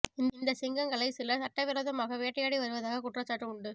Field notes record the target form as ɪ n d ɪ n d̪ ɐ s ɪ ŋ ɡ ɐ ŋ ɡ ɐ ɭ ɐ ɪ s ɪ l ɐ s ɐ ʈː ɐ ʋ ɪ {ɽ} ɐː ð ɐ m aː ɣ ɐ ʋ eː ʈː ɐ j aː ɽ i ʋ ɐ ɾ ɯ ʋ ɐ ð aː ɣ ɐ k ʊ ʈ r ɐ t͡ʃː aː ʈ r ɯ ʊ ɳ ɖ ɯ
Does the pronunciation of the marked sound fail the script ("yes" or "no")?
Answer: yes